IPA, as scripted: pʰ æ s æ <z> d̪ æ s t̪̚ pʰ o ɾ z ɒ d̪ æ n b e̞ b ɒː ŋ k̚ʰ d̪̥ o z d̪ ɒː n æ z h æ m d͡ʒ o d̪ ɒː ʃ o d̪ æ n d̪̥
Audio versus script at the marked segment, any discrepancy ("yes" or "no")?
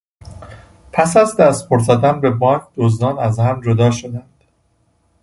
no